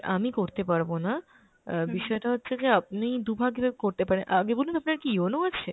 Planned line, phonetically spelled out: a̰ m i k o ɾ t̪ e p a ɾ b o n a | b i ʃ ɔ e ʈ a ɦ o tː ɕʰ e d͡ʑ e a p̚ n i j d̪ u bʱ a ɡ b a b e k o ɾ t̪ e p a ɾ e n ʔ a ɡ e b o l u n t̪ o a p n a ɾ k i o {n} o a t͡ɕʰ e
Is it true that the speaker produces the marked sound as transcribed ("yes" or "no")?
yes